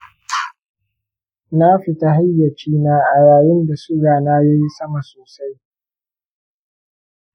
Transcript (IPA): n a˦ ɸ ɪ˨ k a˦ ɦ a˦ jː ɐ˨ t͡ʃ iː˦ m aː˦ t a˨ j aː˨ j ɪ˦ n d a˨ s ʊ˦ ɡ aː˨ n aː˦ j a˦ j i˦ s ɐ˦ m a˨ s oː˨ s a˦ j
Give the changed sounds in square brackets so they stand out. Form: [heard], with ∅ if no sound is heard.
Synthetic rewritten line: n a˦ ɸ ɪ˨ [t] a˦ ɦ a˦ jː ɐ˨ t͡ʃ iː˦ [n] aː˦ [ʔ] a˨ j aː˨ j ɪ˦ n d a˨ s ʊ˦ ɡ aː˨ n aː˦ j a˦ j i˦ s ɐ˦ m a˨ s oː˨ s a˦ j

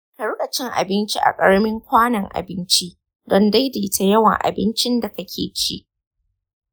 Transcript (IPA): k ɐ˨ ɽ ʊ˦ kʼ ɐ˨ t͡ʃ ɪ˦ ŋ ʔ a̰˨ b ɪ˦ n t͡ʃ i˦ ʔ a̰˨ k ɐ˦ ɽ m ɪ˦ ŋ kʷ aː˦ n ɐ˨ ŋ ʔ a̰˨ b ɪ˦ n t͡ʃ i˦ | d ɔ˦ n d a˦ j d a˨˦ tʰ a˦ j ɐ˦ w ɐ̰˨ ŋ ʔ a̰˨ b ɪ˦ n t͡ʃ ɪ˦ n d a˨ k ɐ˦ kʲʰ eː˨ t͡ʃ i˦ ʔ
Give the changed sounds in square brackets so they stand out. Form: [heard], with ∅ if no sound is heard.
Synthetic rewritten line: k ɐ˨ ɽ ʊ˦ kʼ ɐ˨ t͡ʃ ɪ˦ ŋ ʔ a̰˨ b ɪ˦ n t͡ʃ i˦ ʔ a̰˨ [kʼ] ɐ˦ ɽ m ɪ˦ ŋ kʷ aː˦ n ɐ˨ ŋ ʔ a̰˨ b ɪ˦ n t͡ʃ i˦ | d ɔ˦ n d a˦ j d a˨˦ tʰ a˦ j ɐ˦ w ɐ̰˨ ŋ ʔ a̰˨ b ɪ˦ n t͡ʃ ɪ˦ n d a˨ k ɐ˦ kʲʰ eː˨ t͡ʃ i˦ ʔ

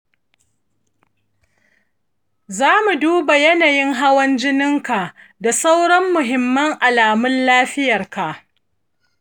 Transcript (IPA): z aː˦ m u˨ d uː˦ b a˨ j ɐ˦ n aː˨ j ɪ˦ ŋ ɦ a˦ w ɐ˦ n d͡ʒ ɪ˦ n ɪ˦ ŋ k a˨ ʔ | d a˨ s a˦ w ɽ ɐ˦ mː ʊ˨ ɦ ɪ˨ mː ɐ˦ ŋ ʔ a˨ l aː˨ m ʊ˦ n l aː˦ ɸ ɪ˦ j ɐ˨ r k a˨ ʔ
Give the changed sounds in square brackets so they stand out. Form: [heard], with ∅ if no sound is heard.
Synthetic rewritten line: z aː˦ m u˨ d uː˦ b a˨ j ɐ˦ n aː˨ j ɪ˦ ŋ ɦ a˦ w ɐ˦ n d͡ʒ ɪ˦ n ɪ˦ ŋ k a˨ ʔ | d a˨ s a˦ w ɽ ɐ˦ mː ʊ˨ ɦ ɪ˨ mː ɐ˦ ŋ ʔ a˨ l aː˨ m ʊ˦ n l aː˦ ɸ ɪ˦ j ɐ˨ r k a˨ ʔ

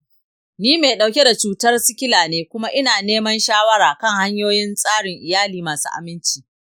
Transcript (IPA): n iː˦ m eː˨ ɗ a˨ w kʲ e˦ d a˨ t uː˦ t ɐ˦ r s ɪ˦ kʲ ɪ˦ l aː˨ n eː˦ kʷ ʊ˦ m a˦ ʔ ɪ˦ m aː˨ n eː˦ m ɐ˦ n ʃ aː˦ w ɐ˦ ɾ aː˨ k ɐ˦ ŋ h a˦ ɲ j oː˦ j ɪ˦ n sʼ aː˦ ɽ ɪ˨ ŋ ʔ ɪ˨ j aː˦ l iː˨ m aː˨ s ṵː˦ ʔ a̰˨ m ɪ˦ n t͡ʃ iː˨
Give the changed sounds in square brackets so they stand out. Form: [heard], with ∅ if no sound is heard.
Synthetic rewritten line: n iː˦ m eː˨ ɗ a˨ w kʲ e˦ d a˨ [t͡ʃ] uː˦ t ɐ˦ r s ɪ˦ kʲ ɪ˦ l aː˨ n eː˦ kʷ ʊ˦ m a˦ ʔ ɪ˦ [n] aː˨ n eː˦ m ɐ˦ n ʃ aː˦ w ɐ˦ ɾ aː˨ k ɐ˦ ŋ h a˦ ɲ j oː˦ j ɪ˦ n sʼ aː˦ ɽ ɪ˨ ŋ ʔ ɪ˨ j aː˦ l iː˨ m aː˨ s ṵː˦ ʔ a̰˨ m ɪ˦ n t͡ʃ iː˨

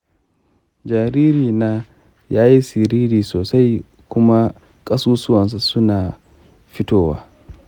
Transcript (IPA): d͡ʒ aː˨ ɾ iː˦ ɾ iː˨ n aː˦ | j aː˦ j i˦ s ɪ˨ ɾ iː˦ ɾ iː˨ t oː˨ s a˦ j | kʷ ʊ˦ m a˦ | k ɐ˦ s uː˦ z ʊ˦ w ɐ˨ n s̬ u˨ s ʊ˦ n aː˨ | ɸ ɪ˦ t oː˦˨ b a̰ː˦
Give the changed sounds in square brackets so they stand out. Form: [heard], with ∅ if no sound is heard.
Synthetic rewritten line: d͡ʒ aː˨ ɾ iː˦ ɾ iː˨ n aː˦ | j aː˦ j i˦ s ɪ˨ ɾ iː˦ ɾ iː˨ [s] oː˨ s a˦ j | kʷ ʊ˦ m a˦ | [kʼ] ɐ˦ s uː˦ [s] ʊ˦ w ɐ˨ n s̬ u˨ s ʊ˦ n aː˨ | ɸ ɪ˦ t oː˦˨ [w] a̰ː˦

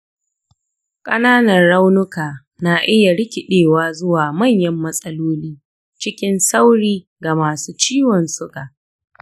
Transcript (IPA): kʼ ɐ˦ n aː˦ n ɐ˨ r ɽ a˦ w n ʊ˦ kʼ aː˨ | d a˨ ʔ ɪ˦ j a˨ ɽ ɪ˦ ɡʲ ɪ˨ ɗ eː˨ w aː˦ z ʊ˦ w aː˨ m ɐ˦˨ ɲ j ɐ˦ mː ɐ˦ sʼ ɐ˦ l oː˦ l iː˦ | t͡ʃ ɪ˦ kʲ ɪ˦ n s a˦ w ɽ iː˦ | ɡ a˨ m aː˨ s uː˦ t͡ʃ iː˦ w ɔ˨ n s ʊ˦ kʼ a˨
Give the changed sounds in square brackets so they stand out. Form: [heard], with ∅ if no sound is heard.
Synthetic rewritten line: kʼ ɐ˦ n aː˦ n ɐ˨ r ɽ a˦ w n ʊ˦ [k] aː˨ | [n] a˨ ʔ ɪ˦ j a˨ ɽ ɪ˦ [kʲ] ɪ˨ ɗ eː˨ w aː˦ z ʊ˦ w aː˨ m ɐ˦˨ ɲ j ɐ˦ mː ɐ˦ sʼ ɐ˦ l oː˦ l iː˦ | t͡ʃ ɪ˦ kʲ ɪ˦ n s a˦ w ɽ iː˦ | ɡ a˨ m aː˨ s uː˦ t͡ʃ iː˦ w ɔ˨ n s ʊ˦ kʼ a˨

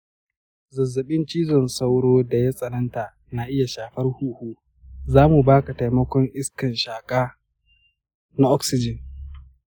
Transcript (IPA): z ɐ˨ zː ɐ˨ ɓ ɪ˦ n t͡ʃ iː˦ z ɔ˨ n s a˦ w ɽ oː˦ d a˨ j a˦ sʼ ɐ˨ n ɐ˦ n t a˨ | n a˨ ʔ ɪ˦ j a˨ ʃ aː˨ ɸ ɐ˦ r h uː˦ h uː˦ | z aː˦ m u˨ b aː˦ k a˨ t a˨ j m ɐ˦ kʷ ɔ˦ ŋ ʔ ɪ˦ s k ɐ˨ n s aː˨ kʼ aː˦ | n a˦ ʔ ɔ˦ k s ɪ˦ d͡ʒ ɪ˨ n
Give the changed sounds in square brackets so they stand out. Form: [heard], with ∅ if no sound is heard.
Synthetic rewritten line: z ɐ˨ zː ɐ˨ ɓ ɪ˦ n t͡ʃ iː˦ z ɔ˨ n s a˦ w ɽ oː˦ d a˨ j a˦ sʼ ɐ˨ n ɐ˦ n t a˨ | n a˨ ʔ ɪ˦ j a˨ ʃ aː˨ ɸ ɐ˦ r h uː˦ h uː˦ | z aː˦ m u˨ b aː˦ k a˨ t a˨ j m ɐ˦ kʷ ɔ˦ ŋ ʔ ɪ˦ s k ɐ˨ n [ʃ] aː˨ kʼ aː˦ | n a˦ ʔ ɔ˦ k s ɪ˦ d͡ʒ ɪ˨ n

